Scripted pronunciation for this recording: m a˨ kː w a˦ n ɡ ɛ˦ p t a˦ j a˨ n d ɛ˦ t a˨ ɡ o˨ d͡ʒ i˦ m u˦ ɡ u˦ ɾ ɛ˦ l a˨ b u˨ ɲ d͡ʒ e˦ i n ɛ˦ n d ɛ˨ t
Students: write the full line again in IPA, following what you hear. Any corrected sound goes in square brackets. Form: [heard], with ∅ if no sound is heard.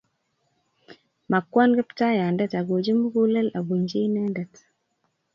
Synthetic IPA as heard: m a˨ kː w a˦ n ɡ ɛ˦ p t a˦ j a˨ n d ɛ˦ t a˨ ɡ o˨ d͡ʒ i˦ m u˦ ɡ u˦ [l] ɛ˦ l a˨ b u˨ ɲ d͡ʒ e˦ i n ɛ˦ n d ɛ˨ t